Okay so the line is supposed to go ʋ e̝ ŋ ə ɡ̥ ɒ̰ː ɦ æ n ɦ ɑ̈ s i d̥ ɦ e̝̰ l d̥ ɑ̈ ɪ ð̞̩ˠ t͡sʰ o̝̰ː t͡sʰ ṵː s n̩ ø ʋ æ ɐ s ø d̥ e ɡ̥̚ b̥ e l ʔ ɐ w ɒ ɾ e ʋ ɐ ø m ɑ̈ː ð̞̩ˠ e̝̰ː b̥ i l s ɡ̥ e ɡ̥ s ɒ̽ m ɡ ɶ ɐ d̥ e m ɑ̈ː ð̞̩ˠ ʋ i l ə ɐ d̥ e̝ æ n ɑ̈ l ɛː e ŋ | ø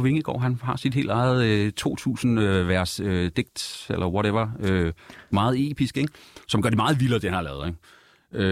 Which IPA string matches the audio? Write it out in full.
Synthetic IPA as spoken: ʋ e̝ ŋ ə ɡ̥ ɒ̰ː ɦ æ n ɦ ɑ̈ s i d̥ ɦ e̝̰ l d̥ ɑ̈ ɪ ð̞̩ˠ t͡sʰ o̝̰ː t͡sʰ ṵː s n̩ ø ʋ æ ɐ s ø d̥ e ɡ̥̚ d̥ e l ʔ ɐ w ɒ ɾ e ʋ ɐ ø m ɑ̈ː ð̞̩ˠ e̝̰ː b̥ i s ɡ̥ e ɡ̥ s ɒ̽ m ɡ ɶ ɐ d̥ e m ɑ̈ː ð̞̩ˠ ʋ i l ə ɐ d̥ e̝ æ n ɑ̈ l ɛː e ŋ | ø